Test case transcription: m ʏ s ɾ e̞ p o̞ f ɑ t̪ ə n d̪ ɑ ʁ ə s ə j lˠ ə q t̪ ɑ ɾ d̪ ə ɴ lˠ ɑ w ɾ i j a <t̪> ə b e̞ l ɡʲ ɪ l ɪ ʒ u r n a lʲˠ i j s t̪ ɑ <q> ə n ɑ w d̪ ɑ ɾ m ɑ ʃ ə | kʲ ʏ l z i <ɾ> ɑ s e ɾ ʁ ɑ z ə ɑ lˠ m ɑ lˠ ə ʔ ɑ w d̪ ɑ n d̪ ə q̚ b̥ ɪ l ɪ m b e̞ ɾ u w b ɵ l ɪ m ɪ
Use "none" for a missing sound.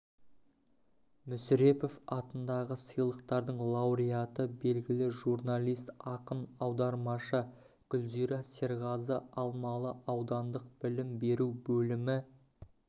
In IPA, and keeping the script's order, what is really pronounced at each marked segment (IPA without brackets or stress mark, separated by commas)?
t̪, q, ɾ